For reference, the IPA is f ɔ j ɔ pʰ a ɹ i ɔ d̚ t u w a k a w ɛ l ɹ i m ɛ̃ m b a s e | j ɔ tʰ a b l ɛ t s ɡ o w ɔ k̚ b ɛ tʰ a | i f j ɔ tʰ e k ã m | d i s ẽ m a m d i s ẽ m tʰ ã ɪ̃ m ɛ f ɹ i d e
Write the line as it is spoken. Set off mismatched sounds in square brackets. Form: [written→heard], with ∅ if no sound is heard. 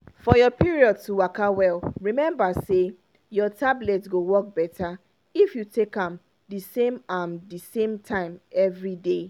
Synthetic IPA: f ɔ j ɔ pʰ [a→i] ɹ i ɔ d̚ t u w a k a w ɛ l ɹ i m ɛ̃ m b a s e | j ɔ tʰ a b l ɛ t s ɡ o w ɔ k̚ b ɛ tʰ a | i f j [ɔ→u] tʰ e k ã m | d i s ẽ m a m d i s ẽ m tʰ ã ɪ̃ m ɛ [f→v] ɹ i d e